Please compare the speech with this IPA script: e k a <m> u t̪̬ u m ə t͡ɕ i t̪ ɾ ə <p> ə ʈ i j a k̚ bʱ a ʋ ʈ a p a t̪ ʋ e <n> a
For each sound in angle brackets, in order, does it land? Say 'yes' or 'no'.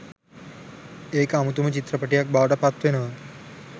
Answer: yes, yes, yes

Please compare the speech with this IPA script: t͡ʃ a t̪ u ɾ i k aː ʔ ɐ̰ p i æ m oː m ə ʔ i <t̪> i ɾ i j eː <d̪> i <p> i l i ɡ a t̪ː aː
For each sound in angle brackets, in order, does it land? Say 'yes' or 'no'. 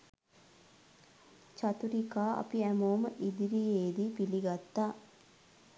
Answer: no, yes, yes

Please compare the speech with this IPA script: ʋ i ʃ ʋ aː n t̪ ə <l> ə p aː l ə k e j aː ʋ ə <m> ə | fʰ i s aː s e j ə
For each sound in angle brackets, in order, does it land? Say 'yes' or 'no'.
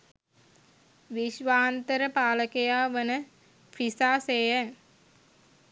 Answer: no, no

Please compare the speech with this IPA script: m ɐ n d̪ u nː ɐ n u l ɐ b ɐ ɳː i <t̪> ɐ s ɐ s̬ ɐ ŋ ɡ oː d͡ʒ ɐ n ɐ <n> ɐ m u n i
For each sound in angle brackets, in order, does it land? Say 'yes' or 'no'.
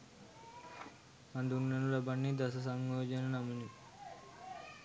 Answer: no, yes

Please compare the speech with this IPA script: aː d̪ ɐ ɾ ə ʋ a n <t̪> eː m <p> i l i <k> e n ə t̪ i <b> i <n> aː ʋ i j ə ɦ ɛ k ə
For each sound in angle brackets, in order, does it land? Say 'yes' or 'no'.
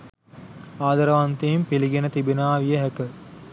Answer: yes, yes, no, yes, yes

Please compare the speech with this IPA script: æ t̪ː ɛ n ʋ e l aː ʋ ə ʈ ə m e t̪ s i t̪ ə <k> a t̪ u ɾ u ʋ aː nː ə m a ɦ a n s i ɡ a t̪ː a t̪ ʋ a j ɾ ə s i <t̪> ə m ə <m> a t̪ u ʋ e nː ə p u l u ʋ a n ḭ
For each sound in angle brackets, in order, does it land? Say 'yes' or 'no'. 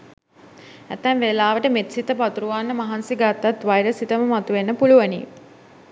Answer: no, yes, yes

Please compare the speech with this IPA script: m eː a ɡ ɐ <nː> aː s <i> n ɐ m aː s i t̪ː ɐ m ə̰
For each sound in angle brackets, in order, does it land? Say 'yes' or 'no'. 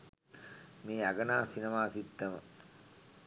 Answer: no, yes

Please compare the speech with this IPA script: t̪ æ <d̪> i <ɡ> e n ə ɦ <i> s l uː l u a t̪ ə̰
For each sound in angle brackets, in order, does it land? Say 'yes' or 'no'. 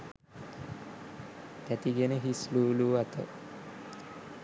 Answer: no, yes, yes

